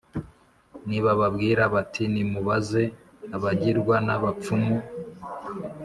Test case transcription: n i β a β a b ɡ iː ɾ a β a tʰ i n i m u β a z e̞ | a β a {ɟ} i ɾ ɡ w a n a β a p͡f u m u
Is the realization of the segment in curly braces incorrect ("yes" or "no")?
no